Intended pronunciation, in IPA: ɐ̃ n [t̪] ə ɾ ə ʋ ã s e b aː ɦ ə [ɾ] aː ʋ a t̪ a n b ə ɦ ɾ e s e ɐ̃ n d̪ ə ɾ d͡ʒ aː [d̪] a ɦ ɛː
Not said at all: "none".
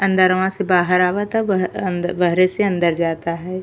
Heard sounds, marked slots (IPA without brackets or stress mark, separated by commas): d̪, ɾ, t̪